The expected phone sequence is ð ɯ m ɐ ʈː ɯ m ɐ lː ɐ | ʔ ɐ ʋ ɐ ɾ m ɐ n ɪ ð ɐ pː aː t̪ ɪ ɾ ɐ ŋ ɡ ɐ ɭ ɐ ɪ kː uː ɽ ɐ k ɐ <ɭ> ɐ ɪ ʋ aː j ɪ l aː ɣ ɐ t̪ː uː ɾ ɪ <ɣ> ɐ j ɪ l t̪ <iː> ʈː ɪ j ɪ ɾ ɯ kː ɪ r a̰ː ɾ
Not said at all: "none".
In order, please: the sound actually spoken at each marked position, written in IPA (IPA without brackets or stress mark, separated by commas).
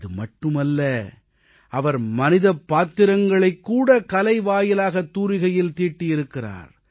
l, ɣ, iː